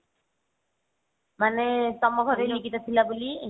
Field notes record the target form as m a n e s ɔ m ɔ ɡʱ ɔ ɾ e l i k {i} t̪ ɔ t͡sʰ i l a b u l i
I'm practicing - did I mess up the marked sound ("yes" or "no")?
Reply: no